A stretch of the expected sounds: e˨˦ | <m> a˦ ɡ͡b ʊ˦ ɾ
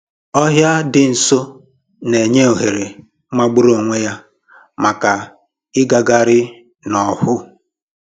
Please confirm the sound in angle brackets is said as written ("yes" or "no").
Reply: yes